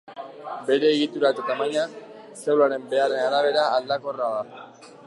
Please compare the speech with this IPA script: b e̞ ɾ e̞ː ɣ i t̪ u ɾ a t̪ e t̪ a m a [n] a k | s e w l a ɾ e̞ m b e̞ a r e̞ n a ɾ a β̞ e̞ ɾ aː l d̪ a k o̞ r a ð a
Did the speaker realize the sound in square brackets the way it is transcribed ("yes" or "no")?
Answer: no